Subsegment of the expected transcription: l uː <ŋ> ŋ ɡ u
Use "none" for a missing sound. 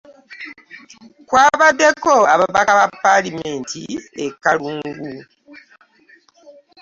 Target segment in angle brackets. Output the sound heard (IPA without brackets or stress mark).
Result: ŋ